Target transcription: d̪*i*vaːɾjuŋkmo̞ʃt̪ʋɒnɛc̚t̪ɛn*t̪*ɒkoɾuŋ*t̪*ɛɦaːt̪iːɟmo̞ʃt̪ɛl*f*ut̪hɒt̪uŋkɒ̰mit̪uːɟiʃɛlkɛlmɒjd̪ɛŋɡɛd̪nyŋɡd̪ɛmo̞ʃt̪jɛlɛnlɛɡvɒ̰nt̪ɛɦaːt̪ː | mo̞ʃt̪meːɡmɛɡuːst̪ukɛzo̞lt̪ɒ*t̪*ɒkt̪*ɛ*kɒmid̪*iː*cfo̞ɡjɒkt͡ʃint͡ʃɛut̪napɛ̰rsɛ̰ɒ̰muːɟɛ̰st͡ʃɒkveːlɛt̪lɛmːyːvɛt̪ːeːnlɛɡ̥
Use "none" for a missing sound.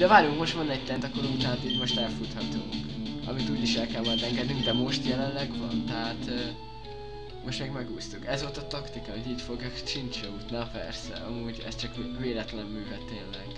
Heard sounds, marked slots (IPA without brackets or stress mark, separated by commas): ɛ, t̪, t̪, f, t̪, i, iː